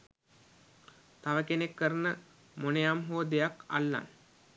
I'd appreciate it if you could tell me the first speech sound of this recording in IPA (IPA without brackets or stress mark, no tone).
t̪